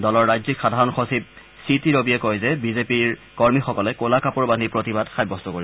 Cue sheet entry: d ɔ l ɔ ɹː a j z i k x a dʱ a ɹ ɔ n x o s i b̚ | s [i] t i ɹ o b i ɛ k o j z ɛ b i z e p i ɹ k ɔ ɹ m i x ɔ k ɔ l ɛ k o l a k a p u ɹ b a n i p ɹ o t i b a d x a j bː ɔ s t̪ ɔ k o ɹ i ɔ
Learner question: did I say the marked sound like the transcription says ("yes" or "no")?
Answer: yes